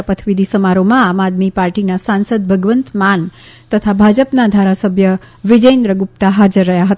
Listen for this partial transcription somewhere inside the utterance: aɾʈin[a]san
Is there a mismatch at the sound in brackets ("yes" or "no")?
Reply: no